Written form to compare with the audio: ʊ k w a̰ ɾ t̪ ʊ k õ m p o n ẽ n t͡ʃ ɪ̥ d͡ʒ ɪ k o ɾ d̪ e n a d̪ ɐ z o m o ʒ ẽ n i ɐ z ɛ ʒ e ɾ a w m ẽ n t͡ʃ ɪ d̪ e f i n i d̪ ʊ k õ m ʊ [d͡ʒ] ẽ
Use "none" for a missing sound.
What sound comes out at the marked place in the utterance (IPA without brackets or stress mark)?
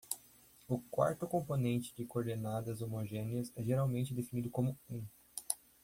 none